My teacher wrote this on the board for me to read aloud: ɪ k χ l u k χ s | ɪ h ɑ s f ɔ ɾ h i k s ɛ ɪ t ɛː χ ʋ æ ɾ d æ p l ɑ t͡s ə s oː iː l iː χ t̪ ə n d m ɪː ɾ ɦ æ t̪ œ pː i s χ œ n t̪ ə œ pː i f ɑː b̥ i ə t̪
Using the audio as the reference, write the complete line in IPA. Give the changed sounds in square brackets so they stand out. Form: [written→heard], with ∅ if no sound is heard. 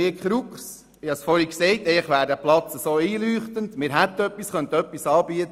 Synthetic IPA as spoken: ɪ k χ [l→ɾ] u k χ s | ɪ h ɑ s f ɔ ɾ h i k s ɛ ɪ t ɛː χ ʋ [æ→æː] ɾ d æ p l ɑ t͡s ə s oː iː l [iː→yː] χ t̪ ə n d m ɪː ɾ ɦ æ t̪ œ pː i s χ œ n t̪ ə œ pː i [f→s] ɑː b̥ i ə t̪